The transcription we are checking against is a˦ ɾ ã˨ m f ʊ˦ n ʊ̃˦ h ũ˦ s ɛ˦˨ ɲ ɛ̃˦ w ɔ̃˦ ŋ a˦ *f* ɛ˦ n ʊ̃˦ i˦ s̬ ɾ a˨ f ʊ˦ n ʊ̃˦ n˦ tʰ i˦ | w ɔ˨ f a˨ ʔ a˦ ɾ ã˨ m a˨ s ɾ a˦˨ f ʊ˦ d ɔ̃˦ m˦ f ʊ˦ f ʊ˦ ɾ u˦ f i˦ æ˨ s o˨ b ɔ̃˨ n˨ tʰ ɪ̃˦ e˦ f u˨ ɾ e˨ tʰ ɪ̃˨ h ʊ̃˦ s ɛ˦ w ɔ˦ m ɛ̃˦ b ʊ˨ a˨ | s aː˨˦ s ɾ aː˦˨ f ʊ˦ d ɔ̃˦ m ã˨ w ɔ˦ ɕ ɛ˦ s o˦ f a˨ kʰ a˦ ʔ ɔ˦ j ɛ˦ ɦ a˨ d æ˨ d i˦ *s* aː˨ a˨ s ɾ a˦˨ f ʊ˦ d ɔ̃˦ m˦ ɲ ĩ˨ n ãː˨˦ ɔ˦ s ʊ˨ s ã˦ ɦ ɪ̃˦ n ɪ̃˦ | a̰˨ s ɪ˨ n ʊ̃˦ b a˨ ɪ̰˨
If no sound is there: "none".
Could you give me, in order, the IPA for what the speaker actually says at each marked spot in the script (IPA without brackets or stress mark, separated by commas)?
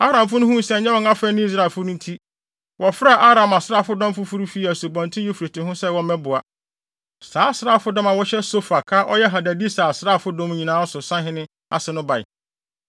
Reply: f, s